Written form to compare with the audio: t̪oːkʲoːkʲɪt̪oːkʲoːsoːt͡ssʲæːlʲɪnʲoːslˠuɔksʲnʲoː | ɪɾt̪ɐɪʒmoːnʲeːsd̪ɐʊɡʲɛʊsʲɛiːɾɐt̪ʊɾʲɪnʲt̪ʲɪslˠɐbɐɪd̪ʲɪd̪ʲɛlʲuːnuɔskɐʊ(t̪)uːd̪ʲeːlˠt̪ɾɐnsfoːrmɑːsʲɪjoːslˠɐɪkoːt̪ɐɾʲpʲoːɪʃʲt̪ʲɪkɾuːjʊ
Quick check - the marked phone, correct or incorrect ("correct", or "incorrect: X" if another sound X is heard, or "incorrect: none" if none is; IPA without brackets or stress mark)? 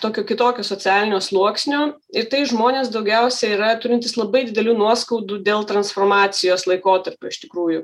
incorrect: d̪